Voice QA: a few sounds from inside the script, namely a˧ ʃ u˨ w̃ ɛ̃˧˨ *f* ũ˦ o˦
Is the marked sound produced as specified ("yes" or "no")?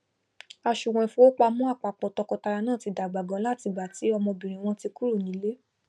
yes